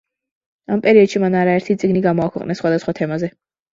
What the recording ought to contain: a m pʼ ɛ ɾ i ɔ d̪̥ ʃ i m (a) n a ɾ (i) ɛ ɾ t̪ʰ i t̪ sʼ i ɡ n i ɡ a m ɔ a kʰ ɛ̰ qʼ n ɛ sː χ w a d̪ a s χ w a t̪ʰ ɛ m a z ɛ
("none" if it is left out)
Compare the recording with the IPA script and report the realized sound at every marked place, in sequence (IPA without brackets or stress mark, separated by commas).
a, a